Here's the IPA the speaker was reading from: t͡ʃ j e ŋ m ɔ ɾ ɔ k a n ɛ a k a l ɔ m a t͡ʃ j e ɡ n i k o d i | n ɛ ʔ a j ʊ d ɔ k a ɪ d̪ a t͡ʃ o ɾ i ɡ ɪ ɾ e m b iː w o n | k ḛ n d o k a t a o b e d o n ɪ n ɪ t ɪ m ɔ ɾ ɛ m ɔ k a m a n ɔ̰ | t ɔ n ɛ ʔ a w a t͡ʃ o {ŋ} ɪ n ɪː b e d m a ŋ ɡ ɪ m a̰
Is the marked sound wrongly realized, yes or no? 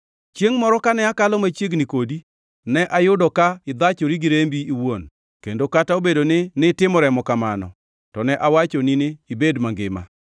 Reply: yes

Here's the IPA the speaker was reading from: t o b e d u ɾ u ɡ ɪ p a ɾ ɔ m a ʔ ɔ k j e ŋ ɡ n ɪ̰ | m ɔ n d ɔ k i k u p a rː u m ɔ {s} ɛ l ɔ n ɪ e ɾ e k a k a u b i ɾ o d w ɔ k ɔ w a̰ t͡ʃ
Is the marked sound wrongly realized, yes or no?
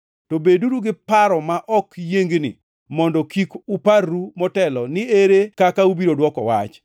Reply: yes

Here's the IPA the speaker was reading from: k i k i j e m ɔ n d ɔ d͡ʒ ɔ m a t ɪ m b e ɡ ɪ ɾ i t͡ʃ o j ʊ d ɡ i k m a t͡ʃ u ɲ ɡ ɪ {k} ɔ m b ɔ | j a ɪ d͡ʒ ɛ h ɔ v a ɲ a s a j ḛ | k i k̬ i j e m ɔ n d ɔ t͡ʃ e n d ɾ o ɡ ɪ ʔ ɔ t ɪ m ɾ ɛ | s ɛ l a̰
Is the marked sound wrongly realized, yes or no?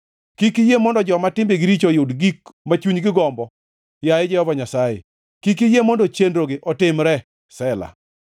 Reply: yes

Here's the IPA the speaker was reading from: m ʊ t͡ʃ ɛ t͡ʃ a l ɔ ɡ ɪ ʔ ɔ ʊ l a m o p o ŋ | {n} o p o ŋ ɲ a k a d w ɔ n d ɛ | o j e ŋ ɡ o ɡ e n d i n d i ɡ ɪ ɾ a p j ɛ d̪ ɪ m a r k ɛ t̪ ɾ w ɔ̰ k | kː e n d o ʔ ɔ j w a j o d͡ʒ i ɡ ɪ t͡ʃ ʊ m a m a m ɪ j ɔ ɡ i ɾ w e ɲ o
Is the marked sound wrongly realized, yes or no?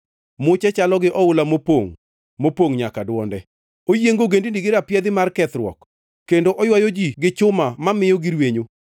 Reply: yes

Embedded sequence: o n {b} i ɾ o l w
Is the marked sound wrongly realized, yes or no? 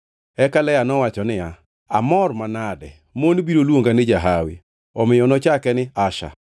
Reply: no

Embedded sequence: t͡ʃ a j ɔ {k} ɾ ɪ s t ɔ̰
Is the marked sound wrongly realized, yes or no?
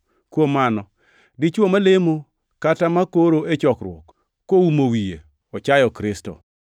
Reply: no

